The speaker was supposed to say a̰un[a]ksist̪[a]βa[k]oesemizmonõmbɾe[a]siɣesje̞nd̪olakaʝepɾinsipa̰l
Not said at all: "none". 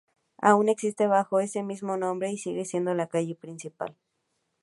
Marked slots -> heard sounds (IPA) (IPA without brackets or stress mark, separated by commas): e, e, x, i